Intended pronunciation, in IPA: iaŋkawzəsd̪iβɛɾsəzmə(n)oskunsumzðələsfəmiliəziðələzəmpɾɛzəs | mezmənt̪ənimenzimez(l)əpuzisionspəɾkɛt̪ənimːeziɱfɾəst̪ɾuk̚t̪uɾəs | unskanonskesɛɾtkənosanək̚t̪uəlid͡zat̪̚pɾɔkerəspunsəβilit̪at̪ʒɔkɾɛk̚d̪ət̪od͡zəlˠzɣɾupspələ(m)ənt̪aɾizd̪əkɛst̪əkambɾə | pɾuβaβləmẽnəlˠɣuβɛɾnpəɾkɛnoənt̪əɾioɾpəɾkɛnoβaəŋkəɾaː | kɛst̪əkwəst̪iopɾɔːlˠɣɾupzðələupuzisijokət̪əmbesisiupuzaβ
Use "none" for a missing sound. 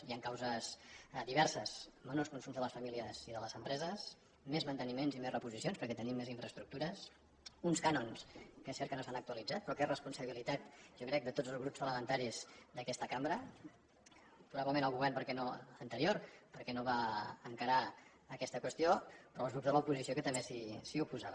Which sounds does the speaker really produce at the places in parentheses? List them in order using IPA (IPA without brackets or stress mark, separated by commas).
n, r, m